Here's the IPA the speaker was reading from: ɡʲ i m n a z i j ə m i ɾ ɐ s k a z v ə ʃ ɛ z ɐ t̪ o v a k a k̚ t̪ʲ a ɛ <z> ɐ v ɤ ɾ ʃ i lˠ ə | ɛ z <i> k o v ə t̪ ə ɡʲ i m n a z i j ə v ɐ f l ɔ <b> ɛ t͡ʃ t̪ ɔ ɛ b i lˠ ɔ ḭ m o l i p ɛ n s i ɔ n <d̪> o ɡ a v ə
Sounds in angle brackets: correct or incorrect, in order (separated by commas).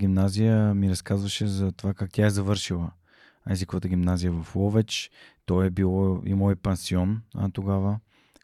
correct, correct, incorrect, incorrect